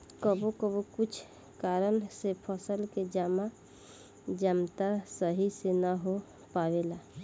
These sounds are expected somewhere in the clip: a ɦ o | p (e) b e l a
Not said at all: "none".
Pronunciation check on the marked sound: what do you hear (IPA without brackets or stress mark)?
a